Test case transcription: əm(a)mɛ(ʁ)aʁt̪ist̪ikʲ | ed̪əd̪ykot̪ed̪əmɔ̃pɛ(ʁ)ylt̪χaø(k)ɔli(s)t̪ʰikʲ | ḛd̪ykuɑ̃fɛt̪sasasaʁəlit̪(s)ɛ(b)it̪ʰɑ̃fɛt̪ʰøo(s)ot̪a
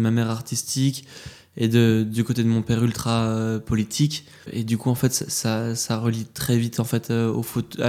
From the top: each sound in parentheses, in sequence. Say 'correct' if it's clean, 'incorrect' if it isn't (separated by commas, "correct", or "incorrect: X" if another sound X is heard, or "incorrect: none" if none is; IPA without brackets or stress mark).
correct, correct, correct, incorrect: p, incorrect: none, incorrect: χ, incorrect: v, incorrect: f